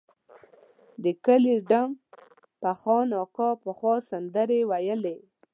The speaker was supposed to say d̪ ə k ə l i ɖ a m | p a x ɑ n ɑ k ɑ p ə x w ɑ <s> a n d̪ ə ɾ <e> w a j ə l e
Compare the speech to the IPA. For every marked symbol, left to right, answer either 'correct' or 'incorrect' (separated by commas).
correct, correct